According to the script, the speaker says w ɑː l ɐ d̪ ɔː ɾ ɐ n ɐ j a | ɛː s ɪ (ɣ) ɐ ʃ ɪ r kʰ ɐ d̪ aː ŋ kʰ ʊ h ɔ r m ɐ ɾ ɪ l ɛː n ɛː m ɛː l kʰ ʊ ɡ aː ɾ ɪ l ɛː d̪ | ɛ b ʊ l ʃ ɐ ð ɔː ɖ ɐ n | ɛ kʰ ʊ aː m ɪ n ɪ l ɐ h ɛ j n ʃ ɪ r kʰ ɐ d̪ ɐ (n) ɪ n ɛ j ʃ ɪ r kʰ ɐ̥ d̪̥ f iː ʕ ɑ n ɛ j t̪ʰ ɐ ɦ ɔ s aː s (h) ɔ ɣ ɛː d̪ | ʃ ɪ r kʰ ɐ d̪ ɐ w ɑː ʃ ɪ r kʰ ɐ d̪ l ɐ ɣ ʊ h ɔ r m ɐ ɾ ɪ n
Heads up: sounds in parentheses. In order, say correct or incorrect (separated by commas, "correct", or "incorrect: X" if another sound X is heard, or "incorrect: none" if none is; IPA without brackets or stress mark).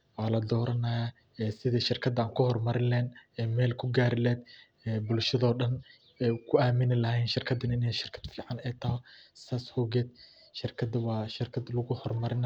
incorrect: ð, correct, correct